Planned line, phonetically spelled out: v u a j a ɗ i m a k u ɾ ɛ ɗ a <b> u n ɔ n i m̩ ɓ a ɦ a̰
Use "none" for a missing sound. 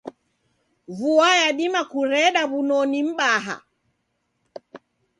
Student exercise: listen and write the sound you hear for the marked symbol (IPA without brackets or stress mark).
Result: β